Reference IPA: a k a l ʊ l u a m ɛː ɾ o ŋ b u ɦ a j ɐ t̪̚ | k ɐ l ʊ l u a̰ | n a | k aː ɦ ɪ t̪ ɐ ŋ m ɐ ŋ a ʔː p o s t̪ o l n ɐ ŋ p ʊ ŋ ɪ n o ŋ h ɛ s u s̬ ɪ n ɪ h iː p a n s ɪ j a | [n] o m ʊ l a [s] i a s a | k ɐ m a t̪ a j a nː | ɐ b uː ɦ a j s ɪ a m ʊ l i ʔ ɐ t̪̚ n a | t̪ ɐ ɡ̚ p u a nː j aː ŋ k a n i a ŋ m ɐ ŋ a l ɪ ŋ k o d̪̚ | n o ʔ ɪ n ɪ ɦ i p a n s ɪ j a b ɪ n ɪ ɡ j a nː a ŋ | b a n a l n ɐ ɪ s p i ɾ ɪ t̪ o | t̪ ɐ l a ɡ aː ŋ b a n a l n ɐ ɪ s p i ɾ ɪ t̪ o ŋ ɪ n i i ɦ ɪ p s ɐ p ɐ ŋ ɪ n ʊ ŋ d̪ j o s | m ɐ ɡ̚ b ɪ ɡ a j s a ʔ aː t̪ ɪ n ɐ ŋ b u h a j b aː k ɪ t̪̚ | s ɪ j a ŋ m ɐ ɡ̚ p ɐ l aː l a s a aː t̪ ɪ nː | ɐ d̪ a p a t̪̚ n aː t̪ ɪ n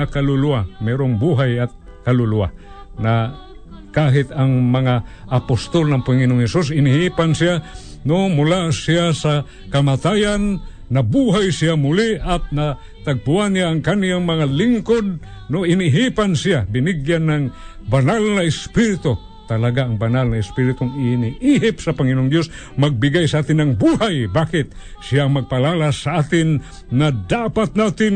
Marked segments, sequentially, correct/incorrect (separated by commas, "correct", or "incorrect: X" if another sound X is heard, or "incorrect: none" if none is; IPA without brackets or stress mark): correct, correct